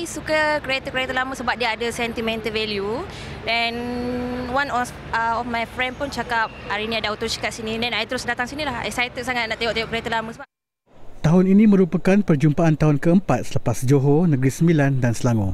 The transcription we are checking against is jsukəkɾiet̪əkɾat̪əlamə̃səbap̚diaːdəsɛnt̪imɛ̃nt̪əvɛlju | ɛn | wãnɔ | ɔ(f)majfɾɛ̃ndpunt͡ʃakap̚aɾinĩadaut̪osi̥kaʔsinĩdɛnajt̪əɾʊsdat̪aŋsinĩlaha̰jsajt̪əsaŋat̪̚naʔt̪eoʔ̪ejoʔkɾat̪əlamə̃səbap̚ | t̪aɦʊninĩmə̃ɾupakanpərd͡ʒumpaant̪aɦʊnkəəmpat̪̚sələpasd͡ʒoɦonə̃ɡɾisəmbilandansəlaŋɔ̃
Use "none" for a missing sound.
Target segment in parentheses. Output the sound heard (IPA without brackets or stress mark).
f